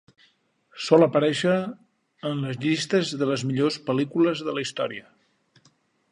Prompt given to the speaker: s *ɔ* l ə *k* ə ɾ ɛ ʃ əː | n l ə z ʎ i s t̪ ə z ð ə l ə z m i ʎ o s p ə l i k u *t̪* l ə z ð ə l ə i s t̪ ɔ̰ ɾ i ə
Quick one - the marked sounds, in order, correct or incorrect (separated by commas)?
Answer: correct, incorrect, incorrect